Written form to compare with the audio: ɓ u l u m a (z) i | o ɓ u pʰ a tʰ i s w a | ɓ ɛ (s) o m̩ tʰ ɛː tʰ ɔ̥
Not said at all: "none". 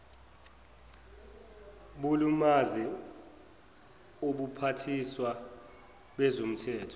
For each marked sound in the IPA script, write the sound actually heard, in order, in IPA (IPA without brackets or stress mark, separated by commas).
z, z